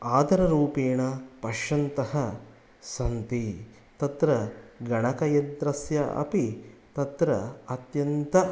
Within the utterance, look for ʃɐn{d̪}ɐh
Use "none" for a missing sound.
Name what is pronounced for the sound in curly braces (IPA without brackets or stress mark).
t̪